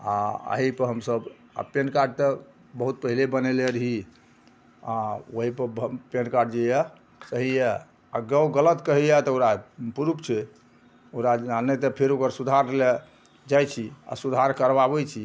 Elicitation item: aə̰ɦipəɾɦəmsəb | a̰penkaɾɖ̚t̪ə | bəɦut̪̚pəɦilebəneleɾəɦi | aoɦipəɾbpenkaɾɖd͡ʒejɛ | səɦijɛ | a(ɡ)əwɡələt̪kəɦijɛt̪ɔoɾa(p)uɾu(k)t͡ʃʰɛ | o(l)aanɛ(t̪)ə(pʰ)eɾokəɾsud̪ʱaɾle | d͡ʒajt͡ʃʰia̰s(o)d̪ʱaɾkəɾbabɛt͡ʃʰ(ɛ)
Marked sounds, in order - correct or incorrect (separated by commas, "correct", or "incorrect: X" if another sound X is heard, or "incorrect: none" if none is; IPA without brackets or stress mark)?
correct, correct, incorrect: p, incorrect: ɾ, correct, correct, incorrect: u, incorrect: i